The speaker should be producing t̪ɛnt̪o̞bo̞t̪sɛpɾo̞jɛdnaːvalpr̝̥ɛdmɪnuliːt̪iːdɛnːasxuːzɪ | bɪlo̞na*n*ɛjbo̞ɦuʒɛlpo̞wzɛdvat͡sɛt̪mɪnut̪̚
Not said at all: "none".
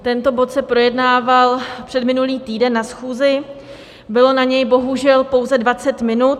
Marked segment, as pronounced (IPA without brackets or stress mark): ɲ